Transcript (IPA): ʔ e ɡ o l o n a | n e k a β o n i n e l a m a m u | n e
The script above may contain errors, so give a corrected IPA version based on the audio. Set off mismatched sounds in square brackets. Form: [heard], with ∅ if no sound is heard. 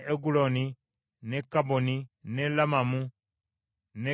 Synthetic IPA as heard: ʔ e ɡ [u] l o n [i] | n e k a [b] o n i n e l a m a m u | n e